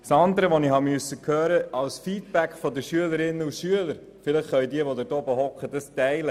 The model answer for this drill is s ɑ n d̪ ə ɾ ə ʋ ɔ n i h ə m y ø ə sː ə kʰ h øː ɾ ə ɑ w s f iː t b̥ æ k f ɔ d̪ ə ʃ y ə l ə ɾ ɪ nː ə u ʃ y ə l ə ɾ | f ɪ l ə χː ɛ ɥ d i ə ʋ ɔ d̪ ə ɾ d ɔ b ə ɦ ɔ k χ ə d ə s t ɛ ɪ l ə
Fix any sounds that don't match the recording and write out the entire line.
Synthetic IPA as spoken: s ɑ n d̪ ə ɾ ə ʋ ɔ n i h ɑ m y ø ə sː ə kʰ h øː ɾ ə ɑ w s f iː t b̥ æ k f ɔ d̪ ə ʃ y ə l ə ɾ ɪ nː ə u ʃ y ə l ə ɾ | f ɪ l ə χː œ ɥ d i ə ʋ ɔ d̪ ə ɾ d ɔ b ə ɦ ɔ k χ ə d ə s t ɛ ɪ l ə